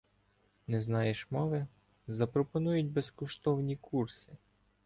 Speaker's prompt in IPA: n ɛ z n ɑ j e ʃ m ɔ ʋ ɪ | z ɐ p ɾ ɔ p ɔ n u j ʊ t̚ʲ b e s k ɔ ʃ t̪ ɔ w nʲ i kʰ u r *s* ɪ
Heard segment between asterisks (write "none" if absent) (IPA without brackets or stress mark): s